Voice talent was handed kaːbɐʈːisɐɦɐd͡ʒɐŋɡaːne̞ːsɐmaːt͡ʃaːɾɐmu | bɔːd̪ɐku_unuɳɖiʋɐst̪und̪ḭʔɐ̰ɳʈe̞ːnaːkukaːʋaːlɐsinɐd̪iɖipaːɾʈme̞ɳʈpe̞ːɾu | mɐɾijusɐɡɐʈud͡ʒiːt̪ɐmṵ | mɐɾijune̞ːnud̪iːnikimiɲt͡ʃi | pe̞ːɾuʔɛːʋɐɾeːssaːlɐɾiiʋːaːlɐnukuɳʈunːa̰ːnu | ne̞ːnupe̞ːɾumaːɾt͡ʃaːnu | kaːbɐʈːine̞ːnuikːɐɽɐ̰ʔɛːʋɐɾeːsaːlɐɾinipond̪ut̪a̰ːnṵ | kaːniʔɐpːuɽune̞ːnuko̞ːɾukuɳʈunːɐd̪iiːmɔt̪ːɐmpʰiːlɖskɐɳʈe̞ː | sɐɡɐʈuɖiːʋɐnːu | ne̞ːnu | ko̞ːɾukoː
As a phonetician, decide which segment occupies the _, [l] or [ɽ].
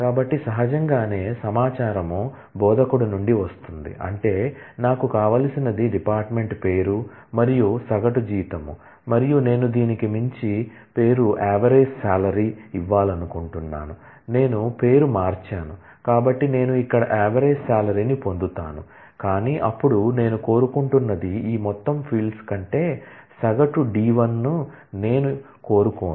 ɽ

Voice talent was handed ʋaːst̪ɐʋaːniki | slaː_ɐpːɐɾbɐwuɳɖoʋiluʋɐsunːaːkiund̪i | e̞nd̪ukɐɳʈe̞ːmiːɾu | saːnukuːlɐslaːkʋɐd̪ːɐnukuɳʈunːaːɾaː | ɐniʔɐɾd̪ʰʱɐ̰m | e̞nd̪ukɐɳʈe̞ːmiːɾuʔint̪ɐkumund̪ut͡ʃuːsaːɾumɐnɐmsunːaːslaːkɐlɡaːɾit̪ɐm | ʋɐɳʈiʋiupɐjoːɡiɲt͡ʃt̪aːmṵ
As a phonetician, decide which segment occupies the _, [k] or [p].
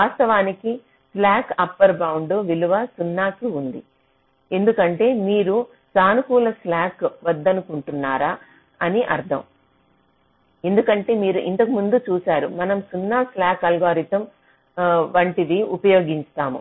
k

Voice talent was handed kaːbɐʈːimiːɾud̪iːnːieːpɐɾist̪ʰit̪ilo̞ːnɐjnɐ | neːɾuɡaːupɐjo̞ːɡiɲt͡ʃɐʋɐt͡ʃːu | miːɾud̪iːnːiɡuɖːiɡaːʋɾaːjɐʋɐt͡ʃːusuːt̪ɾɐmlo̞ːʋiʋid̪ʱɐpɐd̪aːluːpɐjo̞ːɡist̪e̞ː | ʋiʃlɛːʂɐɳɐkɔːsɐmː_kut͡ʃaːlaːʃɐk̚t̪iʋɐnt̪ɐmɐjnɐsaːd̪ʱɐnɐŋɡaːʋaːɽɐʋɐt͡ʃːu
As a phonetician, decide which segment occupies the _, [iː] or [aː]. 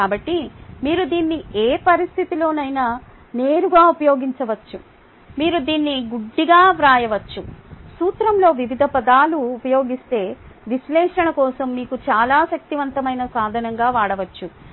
iː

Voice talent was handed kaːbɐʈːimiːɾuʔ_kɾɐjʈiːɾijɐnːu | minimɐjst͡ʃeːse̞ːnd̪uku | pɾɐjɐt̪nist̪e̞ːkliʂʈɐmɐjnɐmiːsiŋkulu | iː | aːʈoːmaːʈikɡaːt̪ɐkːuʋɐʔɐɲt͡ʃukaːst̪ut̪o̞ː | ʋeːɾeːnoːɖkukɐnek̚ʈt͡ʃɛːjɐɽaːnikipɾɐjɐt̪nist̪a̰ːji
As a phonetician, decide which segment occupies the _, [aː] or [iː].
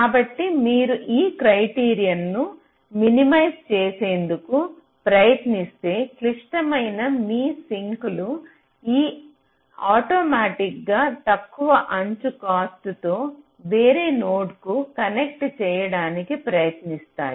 iː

